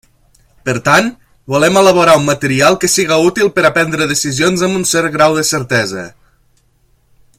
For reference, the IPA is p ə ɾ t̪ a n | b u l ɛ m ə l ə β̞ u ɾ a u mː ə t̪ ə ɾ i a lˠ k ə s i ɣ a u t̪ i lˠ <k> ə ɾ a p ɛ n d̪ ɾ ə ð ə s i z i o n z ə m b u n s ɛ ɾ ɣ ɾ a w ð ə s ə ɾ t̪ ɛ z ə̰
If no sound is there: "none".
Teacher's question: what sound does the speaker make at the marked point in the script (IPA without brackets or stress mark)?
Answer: p